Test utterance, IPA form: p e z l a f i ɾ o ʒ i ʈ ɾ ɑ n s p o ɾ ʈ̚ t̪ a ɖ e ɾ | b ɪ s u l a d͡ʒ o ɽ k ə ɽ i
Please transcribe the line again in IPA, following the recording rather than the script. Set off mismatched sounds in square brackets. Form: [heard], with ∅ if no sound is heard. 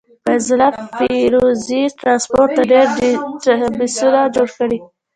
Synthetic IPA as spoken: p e z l a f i ɾ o [z] i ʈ ɾ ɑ n s p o ɾ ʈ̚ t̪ a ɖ e ɾ | b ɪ s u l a d͡ʒ o ɽ k ə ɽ i